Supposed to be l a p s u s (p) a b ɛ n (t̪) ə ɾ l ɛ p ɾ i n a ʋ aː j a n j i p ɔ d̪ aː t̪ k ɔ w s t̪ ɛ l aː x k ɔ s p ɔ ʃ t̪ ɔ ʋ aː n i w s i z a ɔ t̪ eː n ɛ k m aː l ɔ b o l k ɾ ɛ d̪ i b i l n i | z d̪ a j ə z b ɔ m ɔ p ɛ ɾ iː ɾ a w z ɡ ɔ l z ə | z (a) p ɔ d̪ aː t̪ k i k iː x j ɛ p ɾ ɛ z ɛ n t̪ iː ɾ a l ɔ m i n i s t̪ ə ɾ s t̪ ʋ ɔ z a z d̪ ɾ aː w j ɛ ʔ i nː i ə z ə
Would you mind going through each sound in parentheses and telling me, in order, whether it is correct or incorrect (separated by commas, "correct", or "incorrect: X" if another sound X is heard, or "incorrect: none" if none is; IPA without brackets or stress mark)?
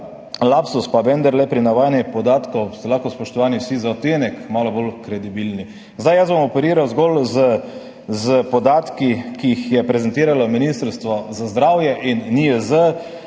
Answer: correct, incorrect: d̪, incorrect: ə